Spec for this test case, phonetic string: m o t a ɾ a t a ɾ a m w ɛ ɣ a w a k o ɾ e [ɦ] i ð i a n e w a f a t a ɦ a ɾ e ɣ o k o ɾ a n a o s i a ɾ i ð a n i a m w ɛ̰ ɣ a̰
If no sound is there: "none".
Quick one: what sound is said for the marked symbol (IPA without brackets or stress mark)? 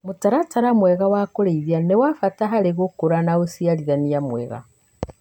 none